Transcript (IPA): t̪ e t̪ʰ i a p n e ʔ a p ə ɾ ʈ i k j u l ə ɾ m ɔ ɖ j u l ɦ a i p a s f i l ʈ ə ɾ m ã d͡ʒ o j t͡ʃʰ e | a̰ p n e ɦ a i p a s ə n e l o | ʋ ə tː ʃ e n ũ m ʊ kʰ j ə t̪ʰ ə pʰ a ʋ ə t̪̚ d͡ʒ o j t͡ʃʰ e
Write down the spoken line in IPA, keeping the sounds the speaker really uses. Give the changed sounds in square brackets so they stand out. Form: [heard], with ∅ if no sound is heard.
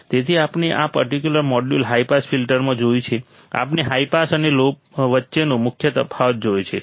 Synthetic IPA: t̪ e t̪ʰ i a p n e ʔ a p ə ɾ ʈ i k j u l ə ɾ m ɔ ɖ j u l ɦ a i p a s f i l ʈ ə ɾ m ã d͡ʒ o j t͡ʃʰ e | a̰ p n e ɦ a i p a s ə n e l o | ʋ ə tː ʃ e n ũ m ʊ kʰ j ə [t̪] ə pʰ a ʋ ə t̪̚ d͡ʒ o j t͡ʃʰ e

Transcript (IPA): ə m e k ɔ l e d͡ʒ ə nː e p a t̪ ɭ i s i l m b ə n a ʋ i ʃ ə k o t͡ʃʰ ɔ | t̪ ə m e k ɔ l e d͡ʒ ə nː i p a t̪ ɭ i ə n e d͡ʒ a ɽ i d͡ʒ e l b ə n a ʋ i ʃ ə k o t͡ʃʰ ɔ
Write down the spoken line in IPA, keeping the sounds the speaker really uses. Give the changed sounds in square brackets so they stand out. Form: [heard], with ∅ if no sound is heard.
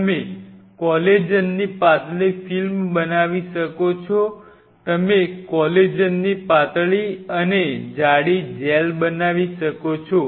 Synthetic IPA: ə m e k ɔ l e d͡ʒ ə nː [i] p a t̪ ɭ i [f] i l m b ə n a ʋ i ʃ ə k o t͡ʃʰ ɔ | t̪ ə m e k ɔ l e d͡ʒ ə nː i p a t̪ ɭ i ə n e d͡ʒ a ɽ i d͡ʒ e l b ə n a ʋ i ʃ ə k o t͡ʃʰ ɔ

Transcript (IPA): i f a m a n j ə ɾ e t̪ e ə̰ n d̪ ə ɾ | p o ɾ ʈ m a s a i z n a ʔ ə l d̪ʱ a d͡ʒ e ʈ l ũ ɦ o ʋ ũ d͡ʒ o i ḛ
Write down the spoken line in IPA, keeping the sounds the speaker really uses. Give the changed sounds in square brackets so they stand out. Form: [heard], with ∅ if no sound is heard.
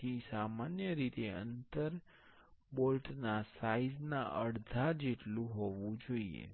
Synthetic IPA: i [s] a m a n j ə ɾ [i] t̪ e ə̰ n [t̪] ə ɾ | [b] o [l] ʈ [n] a s a i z n a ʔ ə [ɽ] d̪ʱ a d͡ʒ e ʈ l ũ ɦ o ʋ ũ d͡ʒ o i ḛ

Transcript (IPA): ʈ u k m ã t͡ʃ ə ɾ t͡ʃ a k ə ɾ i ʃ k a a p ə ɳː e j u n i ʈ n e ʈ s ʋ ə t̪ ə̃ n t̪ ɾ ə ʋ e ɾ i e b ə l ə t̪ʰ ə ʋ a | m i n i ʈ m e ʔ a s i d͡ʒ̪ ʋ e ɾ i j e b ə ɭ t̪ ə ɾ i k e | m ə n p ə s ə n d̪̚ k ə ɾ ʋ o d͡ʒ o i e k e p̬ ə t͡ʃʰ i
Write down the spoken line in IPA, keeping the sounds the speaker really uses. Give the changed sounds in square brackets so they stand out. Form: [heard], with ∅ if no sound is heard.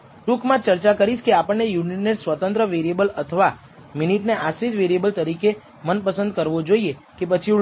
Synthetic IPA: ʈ u k m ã t͡ʃ ə ɾ t͡ʃ a k ə ɾ i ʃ k [e] a p ə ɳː e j u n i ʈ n e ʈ s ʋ ə t̪ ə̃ n t̪ ɾ ə ʋ e ɾ i e b ə l ə t̪ʰ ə ʋ a | m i n i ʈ [n] e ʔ a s i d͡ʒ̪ ʋ e ɾ i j e b ə [l] t̪ ə ɾ i k e | m ə n p ə s ə n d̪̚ k ə ɾ ʋ o d͡ʒ o i e k e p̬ ə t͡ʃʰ i

